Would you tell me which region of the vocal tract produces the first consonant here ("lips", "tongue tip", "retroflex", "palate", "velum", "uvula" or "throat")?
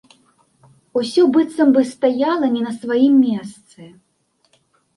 tongue tip